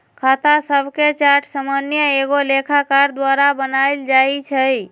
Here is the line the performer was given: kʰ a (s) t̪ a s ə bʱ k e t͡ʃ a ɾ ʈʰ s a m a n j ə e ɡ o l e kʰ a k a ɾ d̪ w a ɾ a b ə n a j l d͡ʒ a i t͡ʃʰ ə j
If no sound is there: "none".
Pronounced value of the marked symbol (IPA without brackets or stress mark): none